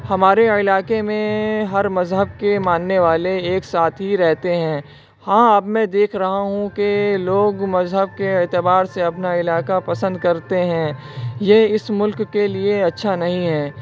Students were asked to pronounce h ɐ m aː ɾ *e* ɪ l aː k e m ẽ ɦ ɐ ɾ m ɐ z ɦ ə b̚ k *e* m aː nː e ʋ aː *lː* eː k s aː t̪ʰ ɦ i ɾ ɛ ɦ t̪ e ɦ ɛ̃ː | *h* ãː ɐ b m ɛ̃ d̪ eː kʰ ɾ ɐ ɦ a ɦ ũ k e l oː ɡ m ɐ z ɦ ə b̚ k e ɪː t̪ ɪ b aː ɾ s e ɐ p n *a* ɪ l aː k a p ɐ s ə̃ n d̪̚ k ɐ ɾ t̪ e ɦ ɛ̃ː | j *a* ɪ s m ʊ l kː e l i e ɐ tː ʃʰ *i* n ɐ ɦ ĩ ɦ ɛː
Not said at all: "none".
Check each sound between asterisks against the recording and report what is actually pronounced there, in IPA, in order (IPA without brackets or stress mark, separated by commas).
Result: e, e, l, h, a, e, a